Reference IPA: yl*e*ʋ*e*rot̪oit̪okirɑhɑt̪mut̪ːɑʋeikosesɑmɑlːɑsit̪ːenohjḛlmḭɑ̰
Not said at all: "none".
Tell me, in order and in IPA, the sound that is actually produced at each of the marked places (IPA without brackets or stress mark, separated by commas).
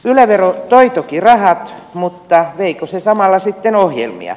æ, e